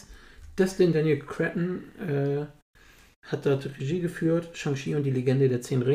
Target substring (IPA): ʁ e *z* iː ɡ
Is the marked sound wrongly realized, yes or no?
yes